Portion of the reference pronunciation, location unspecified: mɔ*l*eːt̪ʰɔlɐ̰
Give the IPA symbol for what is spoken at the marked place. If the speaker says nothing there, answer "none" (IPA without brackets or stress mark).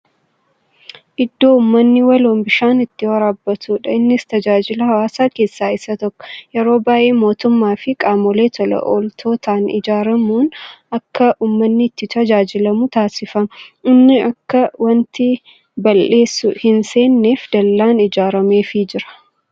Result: l